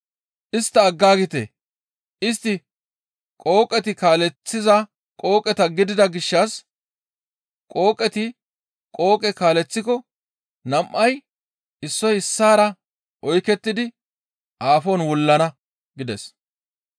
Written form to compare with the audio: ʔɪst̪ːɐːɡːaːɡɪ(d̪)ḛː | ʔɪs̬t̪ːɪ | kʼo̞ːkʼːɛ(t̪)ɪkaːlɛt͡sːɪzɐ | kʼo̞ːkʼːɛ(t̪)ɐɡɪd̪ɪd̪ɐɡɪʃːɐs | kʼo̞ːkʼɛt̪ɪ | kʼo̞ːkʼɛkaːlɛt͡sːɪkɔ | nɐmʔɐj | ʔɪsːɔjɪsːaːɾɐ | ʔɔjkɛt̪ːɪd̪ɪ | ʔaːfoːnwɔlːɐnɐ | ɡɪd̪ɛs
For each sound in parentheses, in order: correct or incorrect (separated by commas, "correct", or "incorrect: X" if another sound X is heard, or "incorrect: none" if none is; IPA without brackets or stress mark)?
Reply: incorrect: t̪, correct, correct